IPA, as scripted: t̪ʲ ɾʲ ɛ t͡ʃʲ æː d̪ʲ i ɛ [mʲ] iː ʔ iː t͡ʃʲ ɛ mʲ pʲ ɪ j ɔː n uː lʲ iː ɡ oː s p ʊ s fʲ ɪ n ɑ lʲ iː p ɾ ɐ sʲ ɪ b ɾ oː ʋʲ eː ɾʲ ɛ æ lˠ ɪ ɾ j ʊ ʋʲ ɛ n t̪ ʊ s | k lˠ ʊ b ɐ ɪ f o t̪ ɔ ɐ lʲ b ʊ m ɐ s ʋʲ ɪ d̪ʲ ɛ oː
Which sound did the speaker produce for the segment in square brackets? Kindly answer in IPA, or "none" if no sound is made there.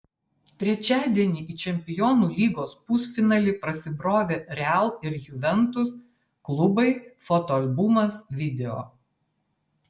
nʲ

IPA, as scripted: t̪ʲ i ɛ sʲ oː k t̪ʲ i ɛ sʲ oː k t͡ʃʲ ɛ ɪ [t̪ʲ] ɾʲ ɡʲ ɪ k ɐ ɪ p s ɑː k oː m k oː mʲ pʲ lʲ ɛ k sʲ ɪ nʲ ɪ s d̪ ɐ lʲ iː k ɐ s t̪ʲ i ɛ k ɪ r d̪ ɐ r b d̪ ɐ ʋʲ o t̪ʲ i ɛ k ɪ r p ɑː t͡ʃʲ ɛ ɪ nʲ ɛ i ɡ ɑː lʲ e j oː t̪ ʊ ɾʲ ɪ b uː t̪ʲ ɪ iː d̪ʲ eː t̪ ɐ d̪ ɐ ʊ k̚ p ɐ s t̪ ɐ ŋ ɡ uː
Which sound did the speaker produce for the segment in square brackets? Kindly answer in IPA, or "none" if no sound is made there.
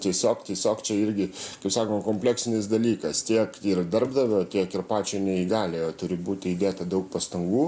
none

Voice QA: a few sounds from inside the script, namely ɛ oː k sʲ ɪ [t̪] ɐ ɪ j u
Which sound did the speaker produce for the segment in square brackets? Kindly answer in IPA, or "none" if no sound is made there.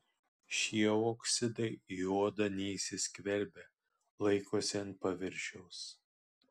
d̪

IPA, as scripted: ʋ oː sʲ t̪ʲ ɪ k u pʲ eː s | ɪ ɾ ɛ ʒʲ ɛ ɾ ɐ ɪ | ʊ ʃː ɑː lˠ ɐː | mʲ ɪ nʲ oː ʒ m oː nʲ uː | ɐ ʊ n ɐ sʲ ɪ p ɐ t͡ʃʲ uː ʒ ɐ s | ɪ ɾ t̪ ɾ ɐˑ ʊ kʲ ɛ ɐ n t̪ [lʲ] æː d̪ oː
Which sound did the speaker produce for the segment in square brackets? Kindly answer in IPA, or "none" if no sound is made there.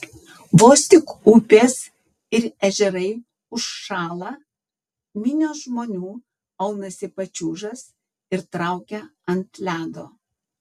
lʲ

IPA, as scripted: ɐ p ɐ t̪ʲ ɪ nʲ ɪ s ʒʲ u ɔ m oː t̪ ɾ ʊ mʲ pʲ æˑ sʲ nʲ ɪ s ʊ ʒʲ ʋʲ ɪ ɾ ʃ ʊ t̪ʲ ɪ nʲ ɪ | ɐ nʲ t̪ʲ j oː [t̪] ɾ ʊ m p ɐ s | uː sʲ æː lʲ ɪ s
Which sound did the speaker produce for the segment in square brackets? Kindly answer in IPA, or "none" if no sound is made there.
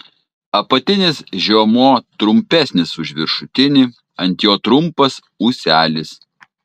t̪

